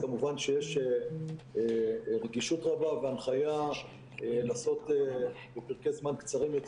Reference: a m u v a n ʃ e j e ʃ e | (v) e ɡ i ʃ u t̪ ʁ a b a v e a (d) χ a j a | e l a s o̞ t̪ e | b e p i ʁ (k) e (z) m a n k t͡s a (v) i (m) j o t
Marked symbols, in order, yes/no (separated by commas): no, no, yes, yes, no, yes